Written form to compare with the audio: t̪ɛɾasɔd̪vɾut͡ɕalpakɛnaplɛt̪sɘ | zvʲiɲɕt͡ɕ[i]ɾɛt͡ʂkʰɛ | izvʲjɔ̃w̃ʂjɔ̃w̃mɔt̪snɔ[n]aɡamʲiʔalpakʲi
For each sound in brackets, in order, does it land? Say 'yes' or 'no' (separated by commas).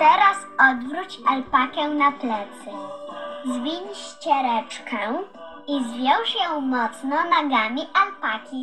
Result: no, yes